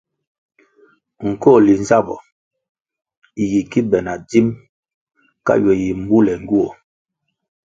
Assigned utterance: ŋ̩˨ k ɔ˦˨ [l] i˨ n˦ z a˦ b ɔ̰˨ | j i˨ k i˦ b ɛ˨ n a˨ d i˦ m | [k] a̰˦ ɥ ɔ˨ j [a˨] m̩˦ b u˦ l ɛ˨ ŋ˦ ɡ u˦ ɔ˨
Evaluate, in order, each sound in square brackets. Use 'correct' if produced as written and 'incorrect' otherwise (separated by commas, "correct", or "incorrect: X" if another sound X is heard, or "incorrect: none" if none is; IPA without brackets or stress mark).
correct, correct, incorrect: i˨